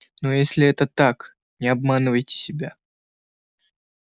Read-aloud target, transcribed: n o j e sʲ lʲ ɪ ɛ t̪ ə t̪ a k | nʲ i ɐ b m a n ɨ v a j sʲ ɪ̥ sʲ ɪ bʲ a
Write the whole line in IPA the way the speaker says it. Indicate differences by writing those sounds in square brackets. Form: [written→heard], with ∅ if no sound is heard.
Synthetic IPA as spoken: n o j e sʲ lʲ ɪ ɛ t̪ ə t̪ a k | nʲ [i→ɪ] ɐ b m a n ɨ v [a→ə] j [sʲ→tʲ] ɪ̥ sʲ ɪ bʲ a